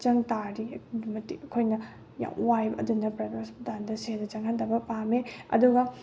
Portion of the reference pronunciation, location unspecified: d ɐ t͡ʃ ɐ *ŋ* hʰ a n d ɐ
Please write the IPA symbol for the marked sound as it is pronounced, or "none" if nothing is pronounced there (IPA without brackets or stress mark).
ŋ